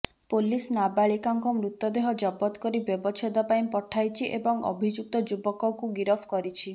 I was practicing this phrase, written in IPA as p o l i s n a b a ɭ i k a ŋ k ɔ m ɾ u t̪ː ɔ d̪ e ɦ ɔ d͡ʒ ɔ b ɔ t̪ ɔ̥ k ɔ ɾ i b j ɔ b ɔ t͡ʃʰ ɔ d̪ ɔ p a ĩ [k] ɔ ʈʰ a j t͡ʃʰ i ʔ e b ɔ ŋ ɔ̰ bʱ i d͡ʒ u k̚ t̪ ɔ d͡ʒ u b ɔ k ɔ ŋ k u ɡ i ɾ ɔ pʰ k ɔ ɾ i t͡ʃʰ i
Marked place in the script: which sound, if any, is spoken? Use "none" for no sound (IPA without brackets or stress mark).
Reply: p